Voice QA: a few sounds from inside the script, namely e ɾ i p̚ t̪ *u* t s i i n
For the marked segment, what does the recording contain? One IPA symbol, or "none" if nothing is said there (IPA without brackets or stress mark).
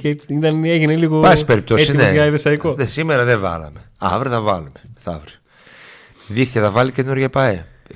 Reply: o